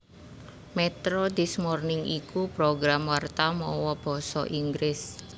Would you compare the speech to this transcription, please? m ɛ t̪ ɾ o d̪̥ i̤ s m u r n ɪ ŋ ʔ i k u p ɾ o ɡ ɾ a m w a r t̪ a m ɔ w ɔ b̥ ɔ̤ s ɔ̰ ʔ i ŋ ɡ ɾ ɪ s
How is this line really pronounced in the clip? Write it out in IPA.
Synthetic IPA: m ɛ t̪ ɾ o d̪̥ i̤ s m ɔ r n ɪ ŋ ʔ i k u p ɾ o ɡ ɾ a m w a r t̪ a m ɔ w ɔ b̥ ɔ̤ s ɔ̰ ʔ i ŋ ɡ ɾ ɪ s